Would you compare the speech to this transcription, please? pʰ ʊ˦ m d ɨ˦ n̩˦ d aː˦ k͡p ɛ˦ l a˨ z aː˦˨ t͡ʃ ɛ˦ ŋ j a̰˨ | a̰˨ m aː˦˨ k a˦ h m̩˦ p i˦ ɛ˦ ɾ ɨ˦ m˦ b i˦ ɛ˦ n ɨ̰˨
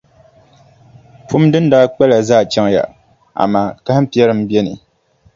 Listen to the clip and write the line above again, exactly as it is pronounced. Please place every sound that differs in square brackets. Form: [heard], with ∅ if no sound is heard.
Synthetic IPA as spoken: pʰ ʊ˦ m d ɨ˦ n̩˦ d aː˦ k͡p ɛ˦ l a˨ z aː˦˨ t͡ʃ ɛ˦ ŋ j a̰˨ | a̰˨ m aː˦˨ k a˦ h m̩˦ p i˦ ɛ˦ ɾ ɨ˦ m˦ b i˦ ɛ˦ n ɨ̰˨